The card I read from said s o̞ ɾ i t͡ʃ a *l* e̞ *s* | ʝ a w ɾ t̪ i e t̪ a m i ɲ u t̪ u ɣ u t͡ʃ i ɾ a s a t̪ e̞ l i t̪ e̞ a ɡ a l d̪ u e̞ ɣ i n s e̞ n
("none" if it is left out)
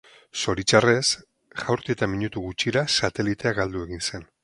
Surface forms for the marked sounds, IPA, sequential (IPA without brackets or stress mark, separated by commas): r, s